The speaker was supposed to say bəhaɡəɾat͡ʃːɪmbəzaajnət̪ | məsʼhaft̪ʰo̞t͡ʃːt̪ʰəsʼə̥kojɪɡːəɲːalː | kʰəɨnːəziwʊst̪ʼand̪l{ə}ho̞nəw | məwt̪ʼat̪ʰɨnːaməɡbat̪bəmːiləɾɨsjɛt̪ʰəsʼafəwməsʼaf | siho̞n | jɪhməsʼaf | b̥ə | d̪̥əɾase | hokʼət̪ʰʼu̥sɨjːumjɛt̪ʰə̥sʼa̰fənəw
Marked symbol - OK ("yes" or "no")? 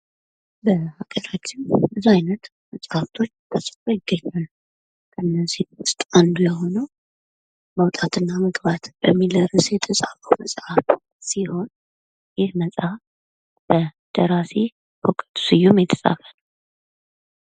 yes